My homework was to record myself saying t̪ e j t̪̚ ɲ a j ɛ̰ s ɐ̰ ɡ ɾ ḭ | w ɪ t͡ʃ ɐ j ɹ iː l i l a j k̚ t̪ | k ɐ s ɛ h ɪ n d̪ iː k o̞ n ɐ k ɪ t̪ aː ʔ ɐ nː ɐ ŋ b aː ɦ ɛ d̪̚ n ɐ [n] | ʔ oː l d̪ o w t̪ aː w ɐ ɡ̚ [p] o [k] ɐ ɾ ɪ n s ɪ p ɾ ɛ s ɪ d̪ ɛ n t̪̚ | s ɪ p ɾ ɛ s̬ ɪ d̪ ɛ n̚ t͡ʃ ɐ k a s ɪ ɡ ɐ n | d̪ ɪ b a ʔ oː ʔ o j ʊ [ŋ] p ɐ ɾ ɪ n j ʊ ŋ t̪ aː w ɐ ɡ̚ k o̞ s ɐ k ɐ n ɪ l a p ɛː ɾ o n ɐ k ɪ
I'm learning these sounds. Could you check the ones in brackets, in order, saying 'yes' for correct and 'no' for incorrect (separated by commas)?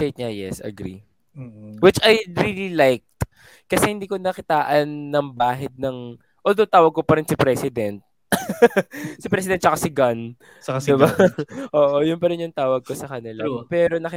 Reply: no, no, no, no